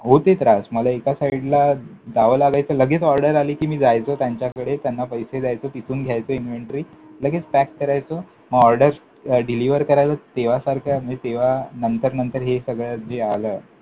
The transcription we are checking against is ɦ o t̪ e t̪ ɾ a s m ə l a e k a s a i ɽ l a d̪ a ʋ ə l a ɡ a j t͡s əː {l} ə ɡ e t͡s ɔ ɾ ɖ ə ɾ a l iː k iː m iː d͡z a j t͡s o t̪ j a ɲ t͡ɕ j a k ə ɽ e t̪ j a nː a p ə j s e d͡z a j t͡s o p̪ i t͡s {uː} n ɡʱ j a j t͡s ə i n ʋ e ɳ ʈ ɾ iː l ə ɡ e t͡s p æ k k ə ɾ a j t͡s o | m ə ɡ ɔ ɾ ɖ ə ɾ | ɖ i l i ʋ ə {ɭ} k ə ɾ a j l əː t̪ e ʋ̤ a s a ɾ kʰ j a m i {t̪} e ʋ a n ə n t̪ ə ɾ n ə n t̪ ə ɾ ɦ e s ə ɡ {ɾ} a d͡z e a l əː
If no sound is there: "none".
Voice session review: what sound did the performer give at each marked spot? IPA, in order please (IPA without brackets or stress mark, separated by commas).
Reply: l, uː, ɾ, t̪, ɭ